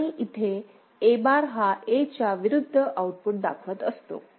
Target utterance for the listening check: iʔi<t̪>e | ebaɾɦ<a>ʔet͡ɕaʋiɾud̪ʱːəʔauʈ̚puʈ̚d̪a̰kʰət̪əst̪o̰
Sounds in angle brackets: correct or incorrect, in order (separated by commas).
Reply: incorrect, correct